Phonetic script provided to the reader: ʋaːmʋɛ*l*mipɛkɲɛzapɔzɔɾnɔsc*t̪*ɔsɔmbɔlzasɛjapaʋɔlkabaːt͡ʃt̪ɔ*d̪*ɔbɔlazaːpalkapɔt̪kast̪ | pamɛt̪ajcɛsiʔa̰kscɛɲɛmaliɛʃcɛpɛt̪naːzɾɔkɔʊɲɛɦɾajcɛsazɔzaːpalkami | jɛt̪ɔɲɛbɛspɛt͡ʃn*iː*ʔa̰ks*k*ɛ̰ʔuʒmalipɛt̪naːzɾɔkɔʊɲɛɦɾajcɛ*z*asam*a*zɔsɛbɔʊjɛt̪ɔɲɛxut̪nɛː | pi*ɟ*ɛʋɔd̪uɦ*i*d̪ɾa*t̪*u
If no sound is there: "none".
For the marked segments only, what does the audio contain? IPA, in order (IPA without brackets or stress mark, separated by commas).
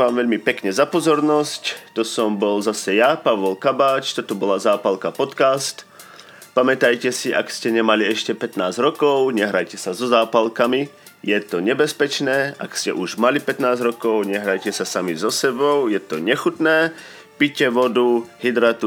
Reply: ʎ, t̪, t̪, ɛː, c, s, i, c, i, t̪